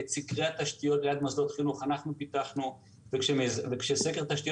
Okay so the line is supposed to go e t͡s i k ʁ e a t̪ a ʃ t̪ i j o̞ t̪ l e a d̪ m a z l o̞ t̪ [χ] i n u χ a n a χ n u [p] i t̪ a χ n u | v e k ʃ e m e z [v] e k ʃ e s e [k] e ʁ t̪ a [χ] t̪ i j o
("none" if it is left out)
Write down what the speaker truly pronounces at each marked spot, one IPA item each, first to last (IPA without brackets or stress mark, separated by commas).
χ, p, v, k, ʃ